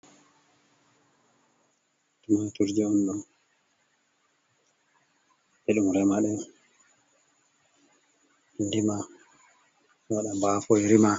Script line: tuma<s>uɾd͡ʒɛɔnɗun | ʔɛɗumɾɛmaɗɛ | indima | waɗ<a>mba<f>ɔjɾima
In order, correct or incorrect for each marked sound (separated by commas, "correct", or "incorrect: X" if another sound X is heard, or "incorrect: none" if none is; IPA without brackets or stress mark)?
incorrect: t, correct, correct